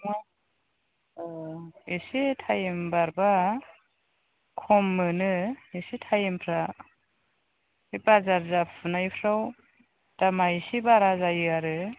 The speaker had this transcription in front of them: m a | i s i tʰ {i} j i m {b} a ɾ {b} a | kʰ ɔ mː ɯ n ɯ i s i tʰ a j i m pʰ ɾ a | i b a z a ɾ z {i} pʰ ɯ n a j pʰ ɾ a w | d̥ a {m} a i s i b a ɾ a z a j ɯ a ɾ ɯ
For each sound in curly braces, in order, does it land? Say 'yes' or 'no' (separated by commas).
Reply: no, yes, yes, no, yes